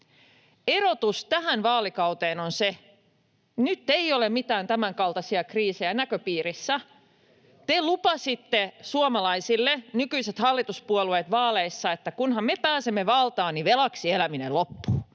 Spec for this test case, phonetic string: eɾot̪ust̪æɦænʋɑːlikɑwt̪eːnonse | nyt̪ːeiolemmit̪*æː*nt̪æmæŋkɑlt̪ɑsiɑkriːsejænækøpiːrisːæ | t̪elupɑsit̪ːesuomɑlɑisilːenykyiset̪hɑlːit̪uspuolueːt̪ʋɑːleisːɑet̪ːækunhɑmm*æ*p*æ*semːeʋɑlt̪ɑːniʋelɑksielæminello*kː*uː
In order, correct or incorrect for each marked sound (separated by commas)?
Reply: correct, incorrect, incorrect, incorrect